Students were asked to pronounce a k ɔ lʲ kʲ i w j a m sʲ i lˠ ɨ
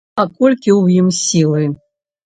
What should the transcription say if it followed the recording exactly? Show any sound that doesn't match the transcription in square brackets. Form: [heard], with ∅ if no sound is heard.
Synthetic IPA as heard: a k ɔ lʲ kʲ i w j [i] m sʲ i lˠ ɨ